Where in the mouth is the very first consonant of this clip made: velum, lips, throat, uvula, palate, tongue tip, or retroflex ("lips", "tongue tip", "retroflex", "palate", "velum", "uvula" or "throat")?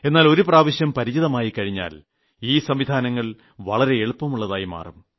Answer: tongue tip